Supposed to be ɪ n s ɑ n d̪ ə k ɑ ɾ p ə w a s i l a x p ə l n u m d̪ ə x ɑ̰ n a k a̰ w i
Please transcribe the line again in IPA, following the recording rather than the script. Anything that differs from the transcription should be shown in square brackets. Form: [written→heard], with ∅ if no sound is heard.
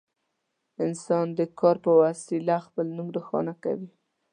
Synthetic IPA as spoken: ɪ n s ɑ n d̪ ə k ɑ ɾ p ə w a s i l a x p ə l n u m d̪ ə x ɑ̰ n a k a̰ w i